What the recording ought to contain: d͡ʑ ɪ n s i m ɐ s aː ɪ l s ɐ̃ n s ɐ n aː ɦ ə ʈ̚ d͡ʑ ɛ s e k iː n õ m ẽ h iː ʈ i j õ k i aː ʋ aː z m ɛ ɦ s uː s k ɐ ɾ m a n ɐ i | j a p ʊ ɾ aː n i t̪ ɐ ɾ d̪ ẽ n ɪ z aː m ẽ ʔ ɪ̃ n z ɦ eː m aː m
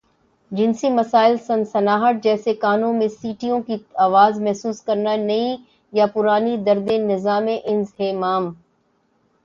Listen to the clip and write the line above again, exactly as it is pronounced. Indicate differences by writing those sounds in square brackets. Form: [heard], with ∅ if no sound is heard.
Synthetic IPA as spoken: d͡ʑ ɪ n s i m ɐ s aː ɪ l s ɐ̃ n s ɐ n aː ɦ ə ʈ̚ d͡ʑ [ɛː] s e k [aː] n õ m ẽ [s] iː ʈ i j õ k i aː ʋ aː z m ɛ ɦ s uː s k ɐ ɾ [n] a n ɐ i | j a p ʊ ɾ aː n i [d̪] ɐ ɾ d̪ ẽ n ɪ z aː m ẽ ʔ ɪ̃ n z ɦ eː m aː m